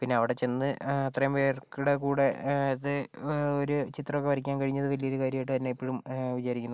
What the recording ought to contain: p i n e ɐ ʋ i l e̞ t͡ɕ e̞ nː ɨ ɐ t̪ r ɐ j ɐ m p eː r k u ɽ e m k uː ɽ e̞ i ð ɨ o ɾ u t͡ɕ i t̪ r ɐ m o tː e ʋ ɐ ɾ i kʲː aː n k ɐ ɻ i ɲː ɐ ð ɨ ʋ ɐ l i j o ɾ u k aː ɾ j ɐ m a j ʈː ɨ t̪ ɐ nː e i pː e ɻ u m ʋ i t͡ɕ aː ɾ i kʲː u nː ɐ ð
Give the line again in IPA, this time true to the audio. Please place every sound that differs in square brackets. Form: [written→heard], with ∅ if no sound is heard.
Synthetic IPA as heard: p i [n→nː] e ɐ ʋ i [l→ɽ] e̞ t͡ɕ e̞ nː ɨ ɐ t̪ r ɐ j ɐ m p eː r k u ɽ e [m→∅] k uː ɽ e̞ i ð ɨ o ɾ u t͡ɕ i t̪ r ɐ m o [tː→kː] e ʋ ɐ ɾ i kʲː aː n k ɐ ɻ i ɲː ɐ ð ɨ ʋ ɐ l i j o ɾ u k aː ɾ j ɐ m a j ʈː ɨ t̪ ɐ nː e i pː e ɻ u m ʋ i t͡ɕ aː ɾ i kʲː u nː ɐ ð